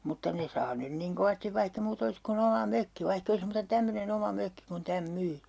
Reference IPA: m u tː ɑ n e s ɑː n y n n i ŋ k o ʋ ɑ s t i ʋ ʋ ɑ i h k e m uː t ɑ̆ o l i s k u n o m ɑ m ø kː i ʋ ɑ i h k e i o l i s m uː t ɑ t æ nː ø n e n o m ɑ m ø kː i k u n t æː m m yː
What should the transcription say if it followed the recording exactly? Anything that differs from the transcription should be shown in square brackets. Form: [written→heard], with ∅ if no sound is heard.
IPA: m u tː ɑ n e s ɑː n y n n i ŋ k o ʋ ɑ s t i ʋ ʋ ɑ i h k e m uː t ɑ̆ o l i s k u n o m ɑ m ø kː i ʋ ɑ i h k e i o l i s m uː t ɑ t æ [nː→mː] ø n e n o m ɑ m ø kː i k u n t [æː→æ] m m yː